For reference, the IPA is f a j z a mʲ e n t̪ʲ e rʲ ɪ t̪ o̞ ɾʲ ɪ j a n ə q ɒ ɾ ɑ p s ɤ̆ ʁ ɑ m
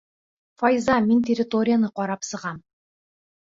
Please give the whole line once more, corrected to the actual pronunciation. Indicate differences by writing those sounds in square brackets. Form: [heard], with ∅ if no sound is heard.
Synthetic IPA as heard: f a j z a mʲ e n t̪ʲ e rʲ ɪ t̪ o̞ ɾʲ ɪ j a n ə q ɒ ɾ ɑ p s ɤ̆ ʁ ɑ m